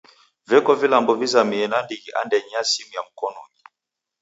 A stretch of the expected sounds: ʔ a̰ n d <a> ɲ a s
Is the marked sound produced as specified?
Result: no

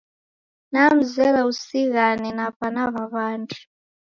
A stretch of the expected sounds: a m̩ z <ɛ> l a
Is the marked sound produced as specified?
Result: yes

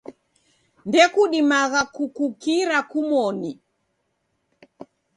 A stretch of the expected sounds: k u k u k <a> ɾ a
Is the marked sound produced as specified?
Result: no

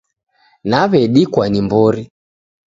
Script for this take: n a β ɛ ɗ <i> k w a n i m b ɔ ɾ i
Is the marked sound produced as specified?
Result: yes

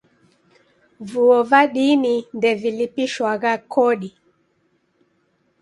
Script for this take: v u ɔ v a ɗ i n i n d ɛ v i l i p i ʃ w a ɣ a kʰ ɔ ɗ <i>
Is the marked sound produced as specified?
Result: yes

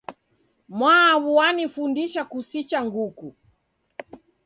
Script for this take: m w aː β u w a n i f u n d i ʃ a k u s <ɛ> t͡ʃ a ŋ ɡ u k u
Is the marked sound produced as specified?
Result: no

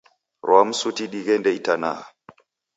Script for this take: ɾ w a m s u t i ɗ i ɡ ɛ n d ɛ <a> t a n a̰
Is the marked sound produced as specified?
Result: no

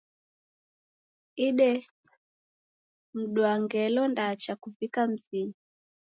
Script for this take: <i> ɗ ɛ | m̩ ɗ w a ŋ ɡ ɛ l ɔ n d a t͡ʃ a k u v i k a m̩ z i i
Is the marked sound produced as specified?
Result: yes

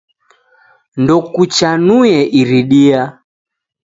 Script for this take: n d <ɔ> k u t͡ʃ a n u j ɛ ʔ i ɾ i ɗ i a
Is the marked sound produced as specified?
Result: yes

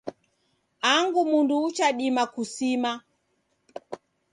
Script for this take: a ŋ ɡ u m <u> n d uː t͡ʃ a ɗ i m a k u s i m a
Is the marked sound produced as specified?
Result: yes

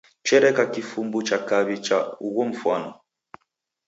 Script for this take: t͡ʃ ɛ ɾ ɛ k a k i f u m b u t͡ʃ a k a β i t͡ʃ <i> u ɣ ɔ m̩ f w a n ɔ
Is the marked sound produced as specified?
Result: no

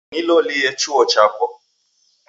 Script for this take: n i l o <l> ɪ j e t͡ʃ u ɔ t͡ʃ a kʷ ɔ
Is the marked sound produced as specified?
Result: yes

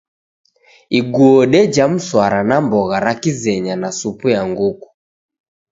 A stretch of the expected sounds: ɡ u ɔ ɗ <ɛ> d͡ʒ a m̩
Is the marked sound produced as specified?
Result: yes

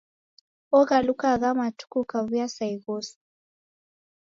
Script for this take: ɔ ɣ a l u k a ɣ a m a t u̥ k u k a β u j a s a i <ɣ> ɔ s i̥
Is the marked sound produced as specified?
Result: yes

